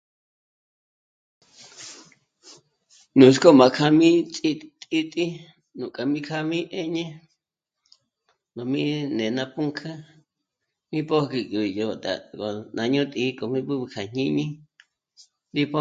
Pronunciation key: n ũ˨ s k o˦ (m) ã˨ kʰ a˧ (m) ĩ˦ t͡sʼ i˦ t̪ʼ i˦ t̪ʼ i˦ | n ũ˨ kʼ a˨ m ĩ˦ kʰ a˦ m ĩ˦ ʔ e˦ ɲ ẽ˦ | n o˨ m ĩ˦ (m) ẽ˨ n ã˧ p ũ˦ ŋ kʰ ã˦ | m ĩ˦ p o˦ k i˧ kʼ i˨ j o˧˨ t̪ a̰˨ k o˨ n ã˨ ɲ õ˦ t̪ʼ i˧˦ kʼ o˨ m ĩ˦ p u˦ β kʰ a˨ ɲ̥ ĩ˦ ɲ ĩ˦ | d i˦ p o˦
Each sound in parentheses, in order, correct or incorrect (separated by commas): correct, correct, incorrect